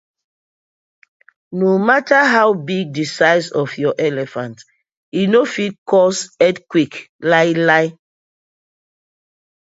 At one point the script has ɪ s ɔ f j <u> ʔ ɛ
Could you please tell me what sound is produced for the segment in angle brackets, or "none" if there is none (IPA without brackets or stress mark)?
ɔ